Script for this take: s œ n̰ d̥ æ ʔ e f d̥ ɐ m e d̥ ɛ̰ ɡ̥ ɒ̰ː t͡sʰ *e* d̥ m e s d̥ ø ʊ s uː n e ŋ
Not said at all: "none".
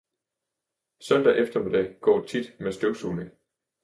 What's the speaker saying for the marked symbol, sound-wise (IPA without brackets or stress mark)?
i